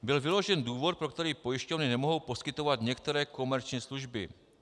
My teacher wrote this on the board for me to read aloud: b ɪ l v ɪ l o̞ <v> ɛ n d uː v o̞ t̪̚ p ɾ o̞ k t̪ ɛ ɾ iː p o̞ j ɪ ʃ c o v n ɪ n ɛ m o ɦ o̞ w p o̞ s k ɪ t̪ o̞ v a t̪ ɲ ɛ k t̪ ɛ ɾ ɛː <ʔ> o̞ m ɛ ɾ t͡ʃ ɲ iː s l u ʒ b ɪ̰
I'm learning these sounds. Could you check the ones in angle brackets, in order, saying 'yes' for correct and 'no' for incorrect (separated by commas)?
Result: no, no